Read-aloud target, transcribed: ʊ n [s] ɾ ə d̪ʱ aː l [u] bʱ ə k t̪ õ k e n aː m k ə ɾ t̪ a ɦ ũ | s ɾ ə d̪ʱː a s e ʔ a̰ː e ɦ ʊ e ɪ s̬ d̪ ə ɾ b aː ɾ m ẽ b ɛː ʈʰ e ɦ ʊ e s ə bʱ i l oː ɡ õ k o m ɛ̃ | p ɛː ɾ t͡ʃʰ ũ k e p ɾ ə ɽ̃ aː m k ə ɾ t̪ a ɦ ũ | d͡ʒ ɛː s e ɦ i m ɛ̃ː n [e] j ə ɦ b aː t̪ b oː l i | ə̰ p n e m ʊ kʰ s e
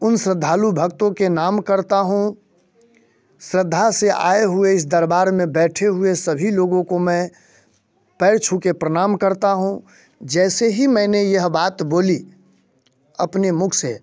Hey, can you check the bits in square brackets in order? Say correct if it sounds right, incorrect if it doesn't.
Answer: correct, correct, correct

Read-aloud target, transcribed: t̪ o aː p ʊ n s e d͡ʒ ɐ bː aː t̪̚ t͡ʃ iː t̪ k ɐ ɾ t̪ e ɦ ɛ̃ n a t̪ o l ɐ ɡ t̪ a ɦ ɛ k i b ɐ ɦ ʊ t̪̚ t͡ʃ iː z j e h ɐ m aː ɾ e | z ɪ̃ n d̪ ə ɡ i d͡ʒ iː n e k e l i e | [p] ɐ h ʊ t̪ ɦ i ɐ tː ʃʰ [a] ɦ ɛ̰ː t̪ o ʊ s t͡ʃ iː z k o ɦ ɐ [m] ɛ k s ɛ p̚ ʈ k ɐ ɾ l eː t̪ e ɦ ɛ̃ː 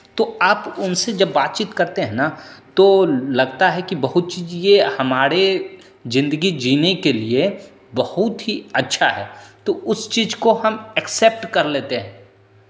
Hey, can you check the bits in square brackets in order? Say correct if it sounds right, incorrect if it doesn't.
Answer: incorrect: b, correct, correct

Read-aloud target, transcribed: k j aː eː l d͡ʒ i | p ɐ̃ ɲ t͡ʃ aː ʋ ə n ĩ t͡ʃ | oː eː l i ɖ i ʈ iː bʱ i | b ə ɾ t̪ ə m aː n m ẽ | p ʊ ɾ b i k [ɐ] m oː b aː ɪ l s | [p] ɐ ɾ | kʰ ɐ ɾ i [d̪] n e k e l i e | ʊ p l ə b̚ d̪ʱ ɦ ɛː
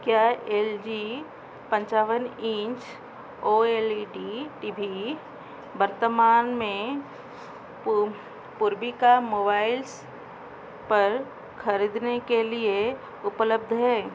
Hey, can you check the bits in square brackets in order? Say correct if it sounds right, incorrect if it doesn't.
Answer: incorrect: a, correct, correct

